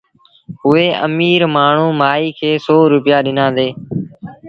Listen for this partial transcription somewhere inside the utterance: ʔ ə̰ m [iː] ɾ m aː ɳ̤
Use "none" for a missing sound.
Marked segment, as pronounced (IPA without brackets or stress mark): iː